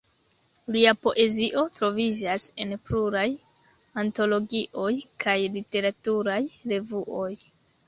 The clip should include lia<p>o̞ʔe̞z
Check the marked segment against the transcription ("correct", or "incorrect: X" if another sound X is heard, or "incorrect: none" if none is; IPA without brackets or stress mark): correct